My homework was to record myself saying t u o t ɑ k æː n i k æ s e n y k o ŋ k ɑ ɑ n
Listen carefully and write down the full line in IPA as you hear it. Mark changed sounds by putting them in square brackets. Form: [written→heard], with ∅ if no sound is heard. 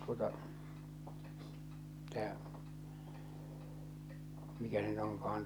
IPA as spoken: t u o t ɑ [k→t] æː [n→m] i k æ s e n y [k→t] o ŋ k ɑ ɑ n